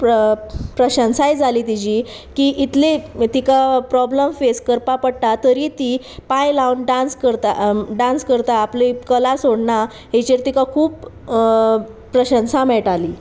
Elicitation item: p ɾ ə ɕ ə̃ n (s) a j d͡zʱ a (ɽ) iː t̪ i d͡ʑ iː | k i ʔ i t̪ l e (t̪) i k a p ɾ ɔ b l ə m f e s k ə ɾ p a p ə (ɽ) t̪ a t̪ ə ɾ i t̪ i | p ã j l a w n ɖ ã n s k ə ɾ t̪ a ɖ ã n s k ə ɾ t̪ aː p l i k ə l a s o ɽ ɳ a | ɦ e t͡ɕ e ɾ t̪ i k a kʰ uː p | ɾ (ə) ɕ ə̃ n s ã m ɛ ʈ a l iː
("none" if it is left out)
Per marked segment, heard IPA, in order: s, l, t̪, ɽ, ə

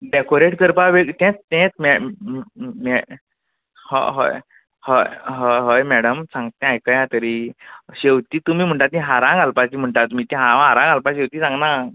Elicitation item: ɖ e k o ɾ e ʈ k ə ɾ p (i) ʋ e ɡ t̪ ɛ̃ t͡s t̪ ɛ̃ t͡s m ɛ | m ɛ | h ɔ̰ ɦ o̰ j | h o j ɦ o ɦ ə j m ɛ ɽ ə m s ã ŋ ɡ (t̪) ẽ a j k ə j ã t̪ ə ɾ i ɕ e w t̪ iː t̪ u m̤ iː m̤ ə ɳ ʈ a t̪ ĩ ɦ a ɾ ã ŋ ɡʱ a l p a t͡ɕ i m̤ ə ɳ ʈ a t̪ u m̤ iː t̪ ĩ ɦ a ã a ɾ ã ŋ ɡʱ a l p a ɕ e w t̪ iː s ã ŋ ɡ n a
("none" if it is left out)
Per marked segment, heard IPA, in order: a, t̪

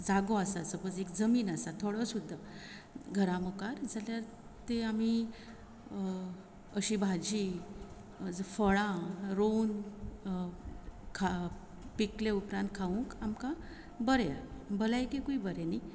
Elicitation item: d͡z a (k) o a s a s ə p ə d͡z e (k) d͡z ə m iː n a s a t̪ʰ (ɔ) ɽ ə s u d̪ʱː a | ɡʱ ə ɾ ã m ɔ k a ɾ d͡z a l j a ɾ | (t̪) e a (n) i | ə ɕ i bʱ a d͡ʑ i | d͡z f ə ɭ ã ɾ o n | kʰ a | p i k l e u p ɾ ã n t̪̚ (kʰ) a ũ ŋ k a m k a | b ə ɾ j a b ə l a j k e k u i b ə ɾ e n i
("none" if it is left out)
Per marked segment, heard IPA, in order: ɡ, k, o, t̪, m, kʰ

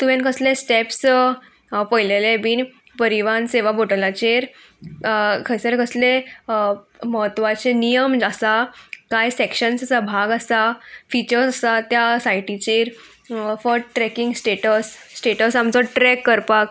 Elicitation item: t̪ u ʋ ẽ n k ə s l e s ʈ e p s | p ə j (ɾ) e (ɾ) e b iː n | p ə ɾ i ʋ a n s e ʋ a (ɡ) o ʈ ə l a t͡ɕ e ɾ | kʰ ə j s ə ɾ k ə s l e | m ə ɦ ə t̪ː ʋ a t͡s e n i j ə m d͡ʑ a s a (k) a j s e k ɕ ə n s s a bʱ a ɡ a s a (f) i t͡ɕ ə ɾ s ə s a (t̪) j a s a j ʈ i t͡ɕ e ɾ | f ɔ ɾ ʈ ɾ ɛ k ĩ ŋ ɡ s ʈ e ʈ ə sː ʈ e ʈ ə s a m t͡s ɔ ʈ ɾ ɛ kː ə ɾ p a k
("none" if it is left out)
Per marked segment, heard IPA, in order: l, l, b, k, f, t̪

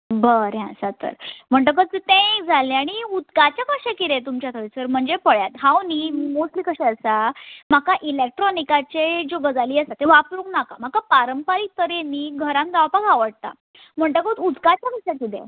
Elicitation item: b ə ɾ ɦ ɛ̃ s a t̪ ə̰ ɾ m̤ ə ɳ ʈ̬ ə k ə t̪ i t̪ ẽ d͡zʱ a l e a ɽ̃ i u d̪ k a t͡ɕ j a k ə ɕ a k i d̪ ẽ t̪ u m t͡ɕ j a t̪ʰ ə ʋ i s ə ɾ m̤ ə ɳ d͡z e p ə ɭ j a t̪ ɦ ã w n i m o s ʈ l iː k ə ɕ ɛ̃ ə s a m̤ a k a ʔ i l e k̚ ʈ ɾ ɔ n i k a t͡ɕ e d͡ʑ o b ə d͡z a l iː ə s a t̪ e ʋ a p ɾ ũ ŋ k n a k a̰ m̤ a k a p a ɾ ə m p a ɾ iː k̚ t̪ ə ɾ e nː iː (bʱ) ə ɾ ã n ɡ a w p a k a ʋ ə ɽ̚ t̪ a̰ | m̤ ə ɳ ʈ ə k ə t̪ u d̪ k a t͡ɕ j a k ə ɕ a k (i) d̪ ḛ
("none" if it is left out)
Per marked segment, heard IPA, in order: ɡʱ, i

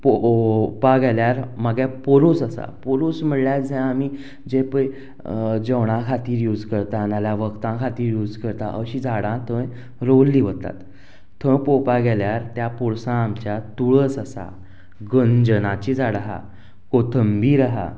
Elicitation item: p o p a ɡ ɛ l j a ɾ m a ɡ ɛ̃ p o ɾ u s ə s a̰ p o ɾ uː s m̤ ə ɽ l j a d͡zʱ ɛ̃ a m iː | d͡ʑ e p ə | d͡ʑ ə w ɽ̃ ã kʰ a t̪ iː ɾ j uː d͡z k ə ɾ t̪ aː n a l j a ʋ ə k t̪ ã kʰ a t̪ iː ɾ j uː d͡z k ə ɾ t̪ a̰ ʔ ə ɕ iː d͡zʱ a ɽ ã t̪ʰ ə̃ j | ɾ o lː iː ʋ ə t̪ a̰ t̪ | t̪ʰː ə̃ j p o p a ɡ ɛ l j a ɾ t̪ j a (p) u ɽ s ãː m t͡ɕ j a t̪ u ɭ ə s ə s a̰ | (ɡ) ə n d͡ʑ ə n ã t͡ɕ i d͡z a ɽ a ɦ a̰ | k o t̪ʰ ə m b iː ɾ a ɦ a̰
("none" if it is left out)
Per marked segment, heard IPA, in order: p, ɡ

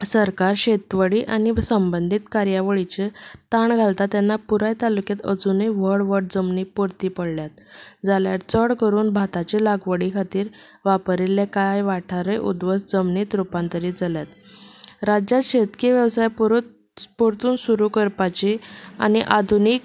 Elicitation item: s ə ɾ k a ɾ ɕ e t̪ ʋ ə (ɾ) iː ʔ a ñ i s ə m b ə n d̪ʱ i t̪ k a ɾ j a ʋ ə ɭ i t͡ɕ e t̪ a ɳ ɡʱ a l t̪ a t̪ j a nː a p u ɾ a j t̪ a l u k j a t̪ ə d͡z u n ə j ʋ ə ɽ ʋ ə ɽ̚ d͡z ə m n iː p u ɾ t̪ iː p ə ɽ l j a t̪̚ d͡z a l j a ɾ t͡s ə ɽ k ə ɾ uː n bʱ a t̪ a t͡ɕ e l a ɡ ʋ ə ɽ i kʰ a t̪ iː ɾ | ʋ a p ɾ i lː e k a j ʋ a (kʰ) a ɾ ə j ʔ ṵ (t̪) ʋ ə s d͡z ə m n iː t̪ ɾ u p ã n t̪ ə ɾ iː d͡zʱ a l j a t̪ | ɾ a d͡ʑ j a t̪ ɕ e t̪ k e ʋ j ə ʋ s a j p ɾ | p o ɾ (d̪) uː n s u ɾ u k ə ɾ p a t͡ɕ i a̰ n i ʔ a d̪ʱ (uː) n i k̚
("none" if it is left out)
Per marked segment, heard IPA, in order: ɽ, ʈʰ, d̪, t̪, u

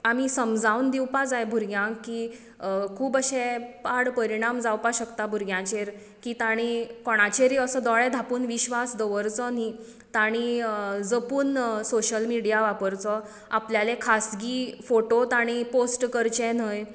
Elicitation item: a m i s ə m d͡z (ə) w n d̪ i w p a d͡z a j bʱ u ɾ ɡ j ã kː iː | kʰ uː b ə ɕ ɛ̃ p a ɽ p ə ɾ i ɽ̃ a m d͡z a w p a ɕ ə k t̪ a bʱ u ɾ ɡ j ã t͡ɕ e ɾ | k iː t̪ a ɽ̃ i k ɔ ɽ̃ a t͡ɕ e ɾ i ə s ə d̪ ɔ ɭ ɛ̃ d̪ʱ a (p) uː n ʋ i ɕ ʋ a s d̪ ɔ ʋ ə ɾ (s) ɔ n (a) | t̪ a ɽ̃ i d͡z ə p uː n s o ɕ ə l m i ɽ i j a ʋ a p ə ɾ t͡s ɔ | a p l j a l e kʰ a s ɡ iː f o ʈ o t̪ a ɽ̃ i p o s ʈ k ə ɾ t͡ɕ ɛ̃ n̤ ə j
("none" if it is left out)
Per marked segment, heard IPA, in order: a, p, t͡s, i

